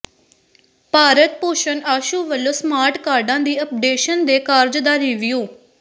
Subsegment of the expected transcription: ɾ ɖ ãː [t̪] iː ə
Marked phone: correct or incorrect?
incorrect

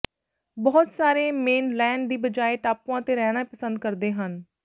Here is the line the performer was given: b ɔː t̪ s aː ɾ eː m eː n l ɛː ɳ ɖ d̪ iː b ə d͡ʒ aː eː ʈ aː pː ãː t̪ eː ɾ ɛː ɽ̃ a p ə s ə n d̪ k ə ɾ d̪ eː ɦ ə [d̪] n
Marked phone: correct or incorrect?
incorrect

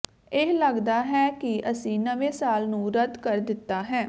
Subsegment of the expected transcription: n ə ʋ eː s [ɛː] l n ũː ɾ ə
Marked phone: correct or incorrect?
incorrect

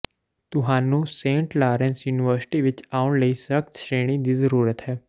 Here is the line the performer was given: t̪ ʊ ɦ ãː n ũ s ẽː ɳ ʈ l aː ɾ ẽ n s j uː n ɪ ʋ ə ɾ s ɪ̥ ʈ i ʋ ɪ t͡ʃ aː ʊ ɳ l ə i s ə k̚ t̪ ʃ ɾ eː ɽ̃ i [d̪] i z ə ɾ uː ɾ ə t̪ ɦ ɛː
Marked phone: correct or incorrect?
correct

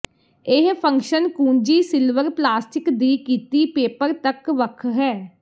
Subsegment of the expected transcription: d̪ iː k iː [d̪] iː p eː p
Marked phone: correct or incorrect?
incorrect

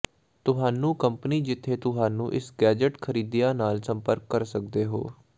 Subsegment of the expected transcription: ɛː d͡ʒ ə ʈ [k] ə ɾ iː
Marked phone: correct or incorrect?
incorrect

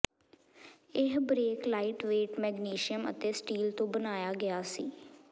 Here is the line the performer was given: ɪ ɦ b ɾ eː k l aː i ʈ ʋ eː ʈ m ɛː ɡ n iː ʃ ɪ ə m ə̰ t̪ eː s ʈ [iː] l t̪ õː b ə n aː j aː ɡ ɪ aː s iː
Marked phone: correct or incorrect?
correct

